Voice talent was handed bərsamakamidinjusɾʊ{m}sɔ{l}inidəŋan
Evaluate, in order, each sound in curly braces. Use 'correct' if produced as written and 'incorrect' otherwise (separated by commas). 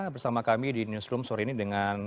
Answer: correct, incorrect